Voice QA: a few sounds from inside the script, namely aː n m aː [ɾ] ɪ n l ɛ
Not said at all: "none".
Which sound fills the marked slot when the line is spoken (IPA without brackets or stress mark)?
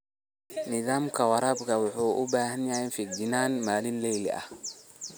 l